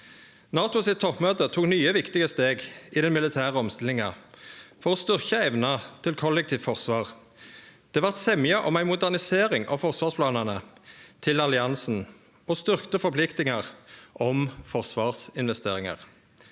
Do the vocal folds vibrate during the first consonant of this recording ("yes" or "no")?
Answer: yes